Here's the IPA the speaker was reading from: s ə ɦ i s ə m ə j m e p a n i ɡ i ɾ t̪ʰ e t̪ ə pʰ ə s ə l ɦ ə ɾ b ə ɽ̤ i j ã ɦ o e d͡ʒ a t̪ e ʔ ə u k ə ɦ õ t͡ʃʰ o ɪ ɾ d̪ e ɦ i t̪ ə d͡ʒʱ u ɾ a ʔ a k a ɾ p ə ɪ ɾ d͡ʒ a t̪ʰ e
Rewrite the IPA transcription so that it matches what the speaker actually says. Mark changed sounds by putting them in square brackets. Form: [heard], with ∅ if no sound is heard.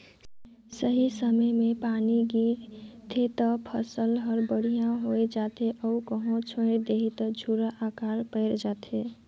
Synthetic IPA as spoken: s ə ɦ i s ə m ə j m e p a n i ɡ i ɾ t̪ʰ e t̪ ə pʰ ə s ə l ɦ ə ɾ b ə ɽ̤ i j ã ɦ o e d͡ʒ a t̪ e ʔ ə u k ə ɦ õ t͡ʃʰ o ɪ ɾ d̪ e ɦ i t̪ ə d͡ʒʱ u ɾ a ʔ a k a ɾ p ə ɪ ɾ d͡ʒ a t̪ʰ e